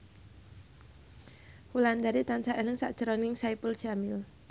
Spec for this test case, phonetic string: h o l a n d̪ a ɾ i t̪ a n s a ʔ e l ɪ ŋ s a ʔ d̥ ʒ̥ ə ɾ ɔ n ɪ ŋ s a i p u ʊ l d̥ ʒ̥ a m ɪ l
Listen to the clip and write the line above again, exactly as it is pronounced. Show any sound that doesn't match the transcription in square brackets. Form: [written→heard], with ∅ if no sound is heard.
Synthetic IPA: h [o→u] l a n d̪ a ɾ i t̪ a n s a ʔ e l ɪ ŋ s a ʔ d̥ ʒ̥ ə ɾ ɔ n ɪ ŋ s a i p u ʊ l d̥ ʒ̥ a m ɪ l